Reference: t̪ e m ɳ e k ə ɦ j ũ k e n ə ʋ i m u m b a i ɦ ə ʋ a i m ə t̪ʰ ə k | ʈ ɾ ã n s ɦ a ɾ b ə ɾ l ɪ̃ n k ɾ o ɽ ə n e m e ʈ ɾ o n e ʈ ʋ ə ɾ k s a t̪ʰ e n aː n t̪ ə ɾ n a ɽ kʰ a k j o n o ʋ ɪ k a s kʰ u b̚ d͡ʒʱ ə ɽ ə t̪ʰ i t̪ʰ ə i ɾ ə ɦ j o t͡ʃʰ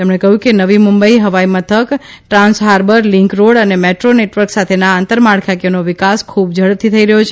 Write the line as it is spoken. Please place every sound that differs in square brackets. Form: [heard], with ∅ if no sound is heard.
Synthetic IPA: t̪ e m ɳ e k ə ɦ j ũ k e n ə ʋ i m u m b [ə] i ɦ ə ʋ a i m ə t̪ʰ ə k | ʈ ɾ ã n s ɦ a ɾ b ə ɾ l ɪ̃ [ŋ] k ɾ o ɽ ə n e m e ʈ ɾ o n e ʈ ʋ ə ɾ k s a t̪ʰ e n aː n t̪ ə ɾ [m] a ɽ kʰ a k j o n o ʋ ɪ k a s kʰ u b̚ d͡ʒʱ ə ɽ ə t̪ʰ i t̪ʰ ə i ɾ ə ɦ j o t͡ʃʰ